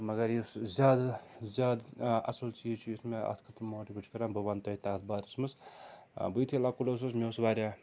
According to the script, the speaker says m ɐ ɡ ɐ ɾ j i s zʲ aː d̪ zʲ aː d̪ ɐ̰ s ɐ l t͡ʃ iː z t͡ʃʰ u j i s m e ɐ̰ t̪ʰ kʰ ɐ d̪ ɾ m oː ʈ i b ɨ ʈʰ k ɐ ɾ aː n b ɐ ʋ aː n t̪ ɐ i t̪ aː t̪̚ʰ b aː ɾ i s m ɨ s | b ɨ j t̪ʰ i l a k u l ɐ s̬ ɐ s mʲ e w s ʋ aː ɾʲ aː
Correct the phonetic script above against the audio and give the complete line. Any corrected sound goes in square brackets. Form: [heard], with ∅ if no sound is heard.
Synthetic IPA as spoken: m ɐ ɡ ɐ ɾ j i s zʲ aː d̪ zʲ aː d̪ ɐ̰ s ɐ l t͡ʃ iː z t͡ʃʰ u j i s m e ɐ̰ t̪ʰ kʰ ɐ [t̪] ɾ m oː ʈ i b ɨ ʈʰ k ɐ ɾ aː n b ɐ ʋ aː n t̪ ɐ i t̪ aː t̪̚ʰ b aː ɾ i s m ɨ s | b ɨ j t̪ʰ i l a k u l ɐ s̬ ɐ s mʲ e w s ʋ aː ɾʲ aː